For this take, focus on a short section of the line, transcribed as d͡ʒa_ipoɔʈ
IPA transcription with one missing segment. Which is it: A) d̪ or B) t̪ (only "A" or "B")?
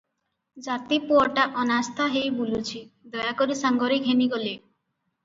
B